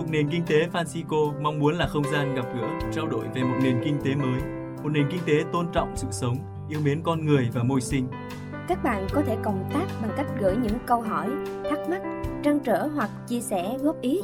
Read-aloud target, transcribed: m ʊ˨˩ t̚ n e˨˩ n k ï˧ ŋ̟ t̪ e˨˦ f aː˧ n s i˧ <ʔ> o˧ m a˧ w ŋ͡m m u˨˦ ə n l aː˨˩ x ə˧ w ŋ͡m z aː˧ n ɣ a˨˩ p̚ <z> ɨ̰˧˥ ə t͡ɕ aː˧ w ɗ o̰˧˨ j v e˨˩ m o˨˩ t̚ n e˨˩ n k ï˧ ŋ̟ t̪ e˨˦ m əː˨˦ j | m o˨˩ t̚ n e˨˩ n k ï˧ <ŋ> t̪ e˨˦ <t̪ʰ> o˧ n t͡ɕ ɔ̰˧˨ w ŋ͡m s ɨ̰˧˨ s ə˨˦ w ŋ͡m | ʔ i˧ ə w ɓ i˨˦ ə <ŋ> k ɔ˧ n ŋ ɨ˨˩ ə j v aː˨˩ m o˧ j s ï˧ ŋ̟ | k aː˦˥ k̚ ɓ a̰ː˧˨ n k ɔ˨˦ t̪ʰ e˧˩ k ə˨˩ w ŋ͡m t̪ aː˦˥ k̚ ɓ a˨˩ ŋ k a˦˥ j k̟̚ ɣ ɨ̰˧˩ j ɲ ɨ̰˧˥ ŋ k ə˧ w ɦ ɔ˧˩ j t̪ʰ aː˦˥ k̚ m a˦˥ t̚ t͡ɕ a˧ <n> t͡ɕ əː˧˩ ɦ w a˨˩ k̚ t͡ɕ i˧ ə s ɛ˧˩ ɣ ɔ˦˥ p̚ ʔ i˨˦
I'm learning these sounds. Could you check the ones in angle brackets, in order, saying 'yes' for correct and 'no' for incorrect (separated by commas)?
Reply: no, no, yes, no, no, no